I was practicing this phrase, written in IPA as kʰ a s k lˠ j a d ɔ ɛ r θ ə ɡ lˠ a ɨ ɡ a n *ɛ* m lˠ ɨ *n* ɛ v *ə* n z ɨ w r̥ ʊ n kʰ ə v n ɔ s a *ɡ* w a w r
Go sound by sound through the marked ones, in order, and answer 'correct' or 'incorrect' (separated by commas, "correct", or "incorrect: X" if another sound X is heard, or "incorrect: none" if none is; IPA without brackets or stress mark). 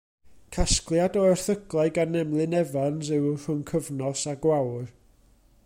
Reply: correct, correct, incorrect: a, correct